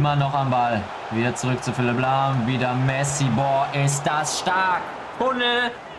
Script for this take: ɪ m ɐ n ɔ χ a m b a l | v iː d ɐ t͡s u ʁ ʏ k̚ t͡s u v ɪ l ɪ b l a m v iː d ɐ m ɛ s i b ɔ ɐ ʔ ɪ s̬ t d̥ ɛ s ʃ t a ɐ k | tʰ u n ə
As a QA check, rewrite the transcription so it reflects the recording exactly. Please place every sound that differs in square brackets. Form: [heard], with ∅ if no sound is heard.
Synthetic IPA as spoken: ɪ m ɐ n ɔ χ a m b a l | v iː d ɐ t͡s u ʁ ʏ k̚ t͡s u [f] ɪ l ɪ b l a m v iː d ɐ m ɛ s i b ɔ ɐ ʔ ɪ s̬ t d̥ [a] s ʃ t a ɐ k | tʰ [ʊ] n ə